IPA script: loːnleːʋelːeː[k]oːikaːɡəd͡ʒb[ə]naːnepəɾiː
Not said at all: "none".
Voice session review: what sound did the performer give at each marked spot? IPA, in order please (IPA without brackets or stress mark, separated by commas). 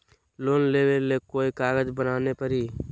k, ə